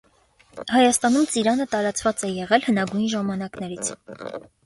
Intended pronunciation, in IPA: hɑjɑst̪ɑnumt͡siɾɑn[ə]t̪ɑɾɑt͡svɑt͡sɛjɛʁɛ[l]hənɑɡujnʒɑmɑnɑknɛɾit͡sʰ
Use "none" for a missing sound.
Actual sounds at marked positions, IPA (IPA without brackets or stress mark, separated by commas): ə, l